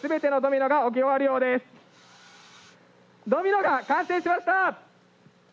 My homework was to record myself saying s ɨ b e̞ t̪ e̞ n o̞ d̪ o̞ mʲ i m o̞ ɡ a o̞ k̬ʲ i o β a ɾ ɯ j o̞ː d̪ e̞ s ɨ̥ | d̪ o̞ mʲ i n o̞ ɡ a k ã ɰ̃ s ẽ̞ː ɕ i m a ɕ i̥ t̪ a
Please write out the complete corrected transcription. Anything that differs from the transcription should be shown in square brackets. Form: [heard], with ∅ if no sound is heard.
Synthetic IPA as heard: s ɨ b e̞ t̪ e̞ n o̞ d̪ o̞ mʲ i [n] o̞ ɡ a o̞ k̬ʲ i o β a ɾ ɯ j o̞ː d̪ e̞ s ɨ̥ | d̪ o̞ mʲ i n o̞ ɡ a k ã ɰ̃ s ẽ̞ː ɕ i m a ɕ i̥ t̪ a